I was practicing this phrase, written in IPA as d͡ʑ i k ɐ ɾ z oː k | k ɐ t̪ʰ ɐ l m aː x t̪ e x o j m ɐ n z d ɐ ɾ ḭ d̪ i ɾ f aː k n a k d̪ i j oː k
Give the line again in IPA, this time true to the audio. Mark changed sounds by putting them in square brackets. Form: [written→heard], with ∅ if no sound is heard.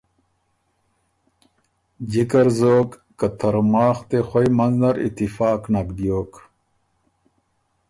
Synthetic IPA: d͡ʑ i k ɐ ɾ z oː k | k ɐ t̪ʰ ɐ [l→ɾ] m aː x t̪ e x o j m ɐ n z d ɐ ɾ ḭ [d̪→t̪] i [ɾ→∅] f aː k n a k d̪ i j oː k